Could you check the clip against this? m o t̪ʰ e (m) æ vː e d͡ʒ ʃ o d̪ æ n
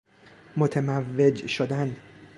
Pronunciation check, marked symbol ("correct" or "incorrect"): correct